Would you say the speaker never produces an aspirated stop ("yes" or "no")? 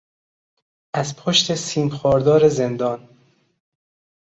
no